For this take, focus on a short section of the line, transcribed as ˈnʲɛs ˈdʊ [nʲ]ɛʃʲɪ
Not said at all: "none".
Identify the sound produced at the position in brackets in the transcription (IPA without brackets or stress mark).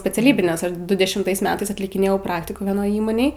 dʲ